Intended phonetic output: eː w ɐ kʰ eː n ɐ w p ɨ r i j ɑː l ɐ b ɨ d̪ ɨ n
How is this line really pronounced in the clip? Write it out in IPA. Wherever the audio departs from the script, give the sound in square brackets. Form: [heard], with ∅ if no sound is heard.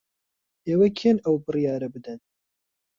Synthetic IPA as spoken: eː w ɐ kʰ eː n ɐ w [b] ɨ r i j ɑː [ɾ] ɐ b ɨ d̪ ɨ n